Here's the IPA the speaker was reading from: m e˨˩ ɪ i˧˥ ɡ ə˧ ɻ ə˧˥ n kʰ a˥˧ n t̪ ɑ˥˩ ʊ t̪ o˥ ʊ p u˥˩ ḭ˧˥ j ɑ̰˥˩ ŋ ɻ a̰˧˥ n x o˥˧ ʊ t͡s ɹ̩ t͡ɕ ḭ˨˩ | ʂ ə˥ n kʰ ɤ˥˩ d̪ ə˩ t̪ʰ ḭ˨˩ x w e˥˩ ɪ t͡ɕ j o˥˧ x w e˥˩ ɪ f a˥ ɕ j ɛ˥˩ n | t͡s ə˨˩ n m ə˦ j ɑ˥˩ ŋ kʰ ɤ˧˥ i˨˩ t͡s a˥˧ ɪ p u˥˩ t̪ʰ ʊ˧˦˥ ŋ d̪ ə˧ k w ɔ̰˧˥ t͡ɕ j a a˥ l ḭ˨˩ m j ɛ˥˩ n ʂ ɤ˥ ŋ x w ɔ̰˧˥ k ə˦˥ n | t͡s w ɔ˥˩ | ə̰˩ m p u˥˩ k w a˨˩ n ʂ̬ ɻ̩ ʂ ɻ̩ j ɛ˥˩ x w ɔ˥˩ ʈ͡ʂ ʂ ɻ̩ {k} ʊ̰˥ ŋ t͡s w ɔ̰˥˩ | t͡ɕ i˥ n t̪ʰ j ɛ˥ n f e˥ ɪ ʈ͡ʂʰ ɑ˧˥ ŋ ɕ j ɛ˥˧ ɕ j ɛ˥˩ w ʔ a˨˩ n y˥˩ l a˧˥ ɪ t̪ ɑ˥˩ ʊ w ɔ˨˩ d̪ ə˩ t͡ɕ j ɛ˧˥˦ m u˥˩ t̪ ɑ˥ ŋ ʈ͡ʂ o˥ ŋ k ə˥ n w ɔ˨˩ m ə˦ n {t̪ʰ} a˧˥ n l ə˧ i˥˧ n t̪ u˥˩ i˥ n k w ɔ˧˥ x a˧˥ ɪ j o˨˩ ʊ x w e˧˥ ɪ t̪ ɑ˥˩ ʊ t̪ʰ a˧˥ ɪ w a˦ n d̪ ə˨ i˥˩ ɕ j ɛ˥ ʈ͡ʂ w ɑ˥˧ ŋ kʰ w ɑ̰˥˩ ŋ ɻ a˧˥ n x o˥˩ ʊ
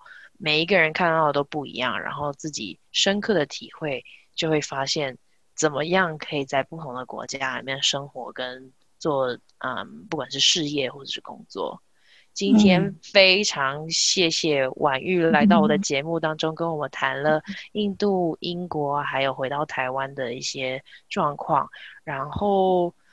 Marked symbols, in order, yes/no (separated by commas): yes, yes